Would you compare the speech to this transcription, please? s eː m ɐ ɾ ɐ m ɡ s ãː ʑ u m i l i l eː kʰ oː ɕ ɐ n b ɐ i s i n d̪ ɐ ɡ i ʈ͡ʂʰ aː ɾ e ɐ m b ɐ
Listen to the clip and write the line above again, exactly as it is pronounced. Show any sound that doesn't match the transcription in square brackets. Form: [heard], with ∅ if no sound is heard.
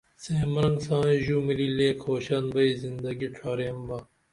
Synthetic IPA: s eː m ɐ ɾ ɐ [ŋ] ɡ s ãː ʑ u m i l i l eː kʰ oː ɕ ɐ n b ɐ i [z] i n d̪ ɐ ɡ i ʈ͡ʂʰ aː ɾ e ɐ m b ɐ